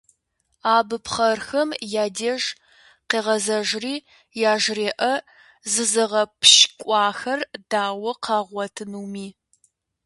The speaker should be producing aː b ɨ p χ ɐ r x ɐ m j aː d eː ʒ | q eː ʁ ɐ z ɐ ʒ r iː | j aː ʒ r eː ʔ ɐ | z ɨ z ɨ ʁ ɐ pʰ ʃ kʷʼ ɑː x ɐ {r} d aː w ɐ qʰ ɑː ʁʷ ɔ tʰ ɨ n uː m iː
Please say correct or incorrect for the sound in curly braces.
correct